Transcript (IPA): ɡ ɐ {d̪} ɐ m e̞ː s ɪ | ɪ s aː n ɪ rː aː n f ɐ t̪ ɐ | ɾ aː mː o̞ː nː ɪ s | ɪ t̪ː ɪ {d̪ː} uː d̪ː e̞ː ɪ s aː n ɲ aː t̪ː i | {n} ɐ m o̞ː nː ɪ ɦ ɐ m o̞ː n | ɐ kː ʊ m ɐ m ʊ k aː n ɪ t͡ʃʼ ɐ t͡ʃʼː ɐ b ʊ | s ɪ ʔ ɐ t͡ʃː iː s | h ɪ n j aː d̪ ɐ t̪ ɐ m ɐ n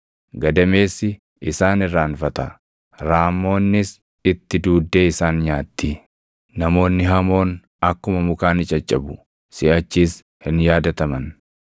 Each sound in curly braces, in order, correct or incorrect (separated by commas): correct, incorrect, correct